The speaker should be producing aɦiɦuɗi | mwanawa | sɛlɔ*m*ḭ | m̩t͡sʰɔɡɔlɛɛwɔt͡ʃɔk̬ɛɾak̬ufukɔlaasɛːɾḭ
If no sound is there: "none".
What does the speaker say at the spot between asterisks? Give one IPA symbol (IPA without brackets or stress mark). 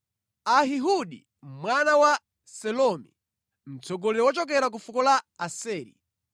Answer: m